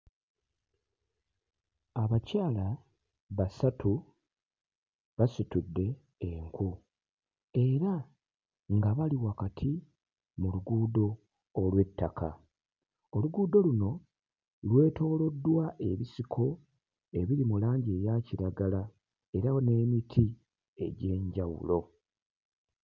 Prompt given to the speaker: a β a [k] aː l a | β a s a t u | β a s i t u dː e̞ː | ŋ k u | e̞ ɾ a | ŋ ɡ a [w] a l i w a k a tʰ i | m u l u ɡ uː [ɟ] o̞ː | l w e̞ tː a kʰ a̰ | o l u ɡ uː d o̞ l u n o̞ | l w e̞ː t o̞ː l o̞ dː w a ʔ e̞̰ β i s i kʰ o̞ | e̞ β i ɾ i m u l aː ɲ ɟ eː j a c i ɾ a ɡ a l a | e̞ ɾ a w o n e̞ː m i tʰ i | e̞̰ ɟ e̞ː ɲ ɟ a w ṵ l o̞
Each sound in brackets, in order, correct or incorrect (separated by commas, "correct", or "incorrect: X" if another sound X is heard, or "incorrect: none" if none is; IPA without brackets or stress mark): incorrect: c, incorrect: β, incorrect: d